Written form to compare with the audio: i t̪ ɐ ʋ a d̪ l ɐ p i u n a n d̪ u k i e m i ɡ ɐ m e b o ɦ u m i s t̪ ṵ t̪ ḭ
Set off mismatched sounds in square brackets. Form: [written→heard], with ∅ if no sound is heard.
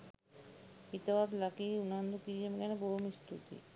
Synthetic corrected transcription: i t̪ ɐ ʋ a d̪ l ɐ [p→k] i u n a n d̪ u k i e m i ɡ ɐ [m→n] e b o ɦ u m i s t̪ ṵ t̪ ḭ